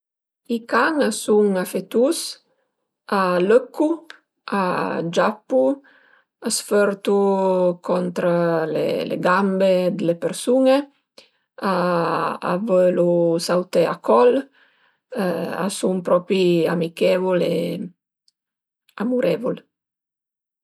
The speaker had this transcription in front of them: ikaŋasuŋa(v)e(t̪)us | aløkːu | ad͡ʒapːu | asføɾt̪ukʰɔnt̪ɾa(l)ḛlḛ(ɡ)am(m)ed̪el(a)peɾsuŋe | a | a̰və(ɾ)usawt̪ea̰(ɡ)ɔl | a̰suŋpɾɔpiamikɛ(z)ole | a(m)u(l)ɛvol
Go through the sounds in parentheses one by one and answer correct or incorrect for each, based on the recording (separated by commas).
incorrect, correct, correct, correct, incorrect, incorrect, incorrect, incorrect, incorrect, correct, incorrect